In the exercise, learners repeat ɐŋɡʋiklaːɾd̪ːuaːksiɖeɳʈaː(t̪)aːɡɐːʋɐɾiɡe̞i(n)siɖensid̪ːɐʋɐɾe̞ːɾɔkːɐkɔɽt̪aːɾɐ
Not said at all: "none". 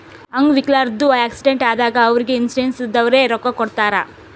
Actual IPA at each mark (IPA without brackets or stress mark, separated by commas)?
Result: d̪, n